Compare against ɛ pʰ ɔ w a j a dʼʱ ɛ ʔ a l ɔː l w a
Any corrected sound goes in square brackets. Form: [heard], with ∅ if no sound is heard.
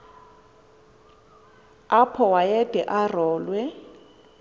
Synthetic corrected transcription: [a] pʰ ɔ w a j [ɛ] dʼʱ ɛ ʔ a [r] ɔː l w [ɛ]